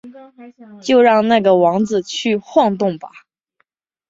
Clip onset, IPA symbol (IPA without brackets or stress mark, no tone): t͡ɕ